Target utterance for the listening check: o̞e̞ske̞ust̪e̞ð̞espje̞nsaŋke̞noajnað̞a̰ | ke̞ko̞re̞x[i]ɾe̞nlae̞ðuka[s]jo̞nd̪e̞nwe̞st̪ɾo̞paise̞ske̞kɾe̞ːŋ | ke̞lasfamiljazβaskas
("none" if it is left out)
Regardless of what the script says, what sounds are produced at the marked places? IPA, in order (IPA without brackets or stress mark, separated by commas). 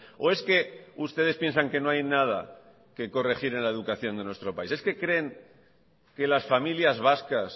i, θ